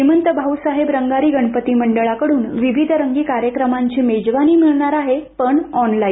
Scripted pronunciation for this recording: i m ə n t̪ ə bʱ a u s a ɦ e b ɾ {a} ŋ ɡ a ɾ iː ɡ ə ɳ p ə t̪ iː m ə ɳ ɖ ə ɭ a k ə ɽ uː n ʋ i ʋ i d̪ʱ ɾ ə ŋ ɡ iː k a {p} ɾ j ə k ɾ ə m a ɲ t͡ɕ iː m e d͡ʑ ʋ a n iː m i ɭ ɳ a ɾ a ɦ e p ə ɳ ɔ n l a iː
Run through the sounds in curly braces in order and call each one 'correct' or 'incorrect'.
incorrect: ə, incorrect: none

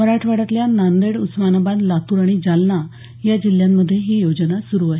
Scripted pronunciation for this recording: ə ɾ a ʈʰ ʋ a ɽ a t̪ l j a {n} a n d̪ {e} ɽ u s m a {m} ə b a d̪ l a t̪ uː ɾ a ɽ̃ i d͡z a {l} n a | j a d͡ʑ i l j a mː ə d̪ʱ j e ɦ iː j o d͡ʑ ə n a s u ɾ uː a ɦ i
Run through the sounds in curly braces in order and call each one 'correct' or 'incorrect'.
correct, correct, incorrect: n, correct

